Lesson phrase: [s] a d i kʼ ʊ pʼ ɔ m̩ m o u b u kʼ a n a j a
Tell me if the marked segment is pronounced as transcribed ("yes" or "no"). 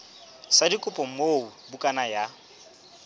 yes